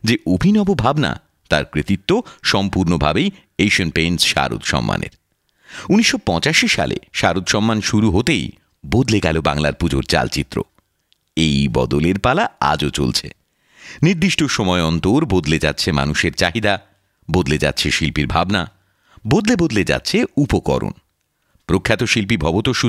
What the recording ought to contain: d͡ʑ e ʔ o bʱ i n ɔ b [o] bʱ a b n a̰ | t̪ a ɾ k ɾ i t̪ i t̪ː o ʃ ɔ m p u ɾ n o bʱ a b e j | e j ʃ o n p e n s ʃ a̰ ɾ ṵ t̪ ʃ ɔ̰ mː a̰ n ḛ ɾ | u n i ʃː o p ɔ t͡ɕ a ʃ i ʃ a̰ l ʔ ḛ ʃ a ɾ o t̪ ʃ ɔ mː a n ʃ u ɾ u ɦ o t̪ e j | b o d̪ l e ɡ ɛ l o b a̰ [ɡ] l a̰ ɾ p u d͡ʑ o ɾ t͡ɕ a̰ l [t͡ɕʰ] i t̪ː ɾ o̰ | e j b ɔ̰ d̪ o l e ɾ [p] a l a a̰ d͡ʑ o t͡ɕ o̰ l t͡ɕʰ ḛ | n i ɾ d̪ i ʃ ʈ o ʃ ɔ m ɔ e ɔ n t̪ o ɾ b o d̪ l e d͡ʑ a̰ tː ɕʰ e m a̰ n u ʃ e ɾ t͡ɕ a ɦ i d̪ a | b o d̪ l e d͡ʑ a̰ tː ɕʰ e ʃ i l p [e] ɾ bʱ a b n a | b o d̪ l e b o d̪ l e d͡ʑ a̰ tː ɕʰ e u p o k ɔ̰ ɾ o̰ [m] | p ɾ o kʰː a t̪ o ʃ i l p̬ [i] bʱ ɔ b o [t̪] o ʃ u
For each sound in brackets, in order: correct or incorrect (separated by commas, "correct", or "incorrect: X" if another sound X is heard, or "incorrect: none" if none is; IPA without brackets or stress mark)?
correct, incorrect: ŋ, incorrect: t͡ɕ, correct, incorrect: i, incorrect: n, correct, correct